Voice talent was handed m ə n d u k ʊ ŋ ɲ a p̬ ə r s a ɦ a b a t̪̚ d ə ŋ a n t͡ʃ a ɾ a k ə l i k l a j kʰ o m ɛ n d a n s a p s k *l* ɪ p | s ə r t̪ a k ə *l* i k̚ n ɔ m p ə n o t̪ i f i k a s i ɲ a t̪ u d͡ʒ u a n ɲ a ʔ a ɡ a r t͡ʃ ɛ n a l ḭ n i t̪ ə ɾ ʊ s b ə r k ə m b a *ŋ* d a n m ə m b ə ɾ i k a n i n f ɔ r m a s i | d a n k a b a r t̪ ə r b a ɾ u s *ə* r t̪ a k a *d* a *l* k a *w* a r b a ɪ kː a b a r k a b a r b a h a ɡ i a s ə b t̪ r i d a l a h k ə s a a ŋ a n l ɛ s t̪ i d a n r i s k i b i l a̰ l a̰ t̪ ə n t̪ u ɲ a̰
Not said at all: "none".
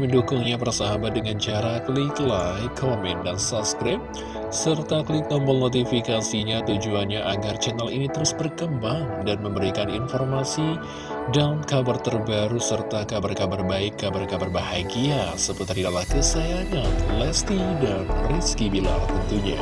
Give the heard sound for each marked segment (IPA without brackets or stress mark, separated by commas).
ɾ, l, ŋ, ə, b, r, b